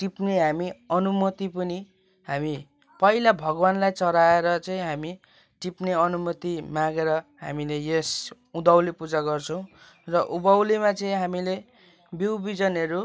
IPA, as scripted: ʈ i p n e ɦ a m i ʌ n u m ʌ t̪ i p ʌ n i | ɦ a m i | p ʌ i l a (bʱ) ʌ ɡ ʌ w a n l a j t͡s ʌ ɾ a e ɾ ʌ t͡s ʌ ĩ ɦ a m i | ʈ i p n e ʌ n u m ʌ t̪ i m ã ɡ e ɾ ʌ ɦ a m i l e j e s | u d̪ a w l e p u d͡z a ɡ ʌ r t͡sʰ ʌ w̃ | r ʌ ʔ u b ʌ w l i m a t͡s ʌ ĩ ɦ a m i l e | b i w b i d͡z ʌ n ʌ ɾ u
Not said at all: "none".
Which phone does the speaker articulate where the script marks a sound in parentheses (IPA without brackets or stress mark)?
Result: bʱ